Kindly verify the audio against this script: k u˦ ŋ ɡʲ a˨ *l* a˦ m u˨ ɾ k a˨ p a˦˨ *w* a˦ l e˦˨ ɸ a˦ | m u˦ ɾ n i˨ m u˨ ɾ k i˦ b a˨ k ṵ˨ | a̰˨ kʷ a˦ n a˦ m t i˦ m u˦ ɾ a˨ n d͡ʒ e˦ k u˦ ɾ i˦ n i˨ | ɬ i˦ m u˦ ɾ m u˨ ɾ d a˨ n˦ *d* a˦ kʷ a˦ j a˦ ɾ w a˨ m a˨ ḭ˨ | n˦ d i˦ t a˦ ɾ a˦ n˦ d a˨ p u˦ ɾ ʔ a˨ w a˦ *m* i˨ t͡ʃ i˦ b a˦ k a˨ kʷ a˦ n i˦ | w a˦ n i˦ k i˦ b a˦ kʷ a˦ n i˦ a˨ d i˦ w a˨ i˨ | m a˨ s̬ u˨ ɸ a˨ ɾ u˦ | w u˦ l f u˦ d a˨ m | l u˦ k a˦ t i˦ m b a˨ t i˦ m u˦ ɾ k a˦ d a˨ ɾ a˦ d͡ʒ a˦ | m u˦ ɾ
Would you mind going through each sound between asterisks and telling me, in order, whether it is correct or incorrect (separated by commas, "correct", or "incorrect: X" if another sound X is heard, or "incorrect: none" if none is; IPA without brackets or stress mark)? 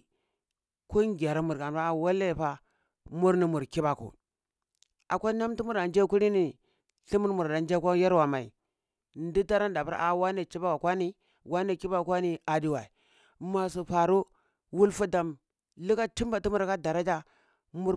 incorrect: ɾ, correct, incorrect: d͡ʒ, incorrect: n